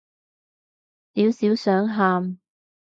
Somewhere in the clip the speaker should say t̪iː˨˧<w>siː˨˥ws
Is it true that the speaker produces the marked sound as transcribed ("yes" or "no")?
yes